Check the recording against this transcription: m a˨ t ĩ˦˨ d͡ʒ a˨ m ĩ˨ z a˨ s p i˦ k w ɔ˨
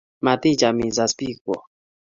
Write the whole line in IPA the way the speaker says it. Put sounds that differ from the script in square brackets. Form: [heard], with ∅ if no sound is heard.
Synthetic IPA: m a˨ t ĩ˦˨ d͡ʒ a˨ m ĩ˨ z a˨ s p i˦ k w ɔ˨